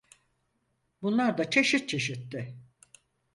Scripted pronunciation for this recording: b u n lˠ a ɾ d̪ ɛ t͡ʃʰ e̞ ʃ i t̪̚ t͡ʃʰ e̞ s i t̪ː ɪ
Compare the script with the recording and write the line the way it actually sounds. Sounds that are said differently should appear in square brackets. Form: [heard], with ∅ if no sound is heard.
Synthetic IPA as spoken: b u n lˠ a ɾ d̪ [a] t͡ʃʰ e̞ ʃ i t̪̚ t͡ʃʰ e̞ [ʃ] i t̪ː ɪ